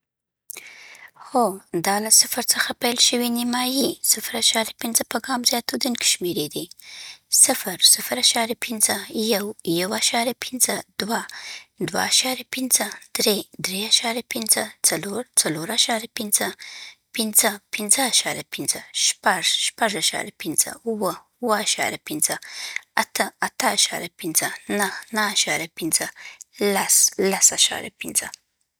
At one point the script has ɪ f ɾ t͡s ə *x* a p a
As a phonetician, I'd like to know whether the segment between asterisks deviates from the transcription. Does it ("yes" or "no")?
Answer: no